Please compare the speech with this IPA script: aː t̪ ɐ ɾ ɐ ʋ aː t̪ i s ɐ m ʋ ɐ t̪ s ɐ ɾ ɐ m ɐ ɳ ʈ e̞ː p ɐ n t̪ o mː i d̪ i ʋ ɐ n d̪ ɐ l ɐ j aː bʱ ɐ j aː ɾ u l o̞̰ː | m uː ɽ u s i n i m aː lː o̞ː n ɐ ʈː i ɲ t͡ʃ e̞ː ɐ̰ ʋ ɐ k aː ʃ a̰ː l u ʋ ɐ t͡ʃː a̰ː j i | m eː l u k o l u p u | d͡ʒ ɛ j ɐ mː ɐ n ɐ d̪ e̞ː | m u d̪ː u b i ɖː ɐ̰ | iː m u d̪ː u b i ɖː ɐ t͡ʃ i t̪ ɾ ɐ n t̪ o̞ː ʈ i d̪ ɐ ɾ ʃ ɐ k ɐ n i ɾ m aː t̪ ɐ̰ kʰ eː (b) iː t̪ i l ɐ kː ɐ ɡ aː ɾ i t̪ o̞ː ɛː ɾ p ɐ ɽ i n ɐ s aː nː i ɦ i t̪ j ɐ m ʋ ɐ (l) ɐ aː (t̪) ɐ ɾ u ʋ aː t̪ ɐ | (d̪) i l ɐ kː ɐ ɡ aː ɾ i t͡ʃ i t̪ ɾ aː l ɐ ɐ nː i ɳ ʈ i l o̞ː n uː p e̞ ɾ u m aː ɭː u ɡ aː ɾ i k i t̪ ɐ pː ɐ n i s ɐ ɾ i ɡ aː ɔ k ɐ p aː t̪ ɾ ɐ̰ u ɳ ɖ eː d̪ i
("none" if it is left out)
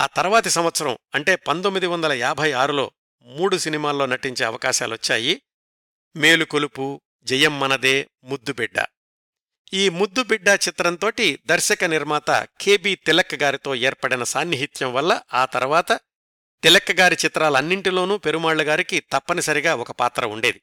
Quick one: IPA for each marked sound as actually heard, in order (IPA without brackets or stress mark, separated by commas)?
b, lː, t̪, t̪